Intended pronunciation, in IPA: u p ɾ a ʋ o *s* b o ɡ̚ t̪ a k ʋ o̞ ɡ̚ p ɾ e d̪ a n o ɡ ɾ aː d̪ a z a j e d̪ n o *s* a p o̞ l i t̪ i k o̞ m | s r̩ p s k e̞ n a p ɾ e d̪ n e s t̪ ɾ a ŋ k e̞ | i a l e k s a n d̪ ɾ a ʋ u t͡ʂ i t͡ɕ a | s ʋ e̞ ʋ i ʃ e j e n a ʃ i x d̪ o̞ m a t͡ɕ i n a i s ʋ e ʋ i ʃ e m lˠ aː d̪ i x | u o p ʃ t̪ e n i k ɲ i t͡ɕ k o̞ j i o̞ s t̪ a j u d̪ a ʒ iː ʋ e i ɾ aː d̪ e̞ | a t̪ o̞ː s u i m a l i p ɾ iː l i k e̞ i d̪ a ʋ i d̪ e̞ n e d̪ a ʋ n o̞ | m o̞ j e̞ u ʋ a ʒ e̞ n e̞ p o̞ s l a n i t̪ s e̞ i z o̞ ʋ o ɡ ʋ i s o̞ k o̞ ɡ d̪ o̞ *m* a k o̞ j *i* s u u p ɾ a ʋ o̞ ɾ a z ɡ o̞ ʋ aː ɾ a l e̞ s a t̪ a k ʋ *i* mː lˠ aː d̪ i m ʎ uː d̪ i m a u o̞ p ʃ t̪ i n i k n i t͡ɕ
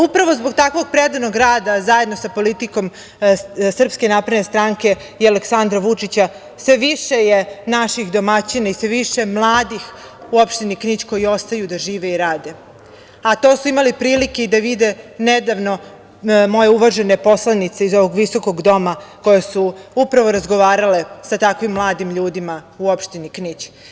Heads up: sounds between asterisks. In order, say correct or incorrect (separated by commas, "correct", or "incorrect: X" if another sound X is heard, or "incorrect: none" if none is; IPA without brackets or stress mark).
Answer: incorrect: z, correct, correct, incorrect: e, correct